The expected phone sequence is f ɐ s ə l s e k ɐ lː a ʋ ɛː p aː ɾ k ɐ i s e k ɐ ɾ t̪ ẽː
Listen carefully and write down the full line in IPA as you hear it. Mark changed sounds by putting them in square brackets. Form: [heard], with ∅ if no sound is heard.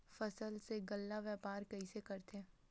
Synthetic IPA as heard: f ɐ s ə l s e [ɡ] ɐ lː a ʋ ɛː p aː ɾ k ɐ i s e k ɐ ɾ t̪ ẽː